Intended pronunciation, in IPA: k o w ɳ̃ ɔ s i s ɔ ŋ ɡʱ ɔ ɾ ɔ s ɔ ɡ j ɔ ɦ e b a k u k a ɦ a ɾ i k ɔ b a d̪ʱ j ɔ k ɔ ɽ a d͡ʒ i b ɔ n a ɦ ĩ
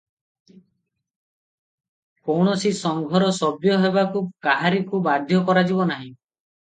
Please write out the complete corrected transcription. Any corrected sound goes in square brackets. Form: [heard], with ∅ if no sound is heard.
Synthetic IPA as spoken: k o w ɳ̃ ɔ s i s ɔ ŋ ɡʱ ɔ ɾ ɔ s ɔ [b] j ɔ ɦ e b a k u k a ɦ a ɾ i k [u] b a d̪ʱ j ɔ k ɔ [ɾ] a d͡ʒ i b ɔ n a ɦ ĩ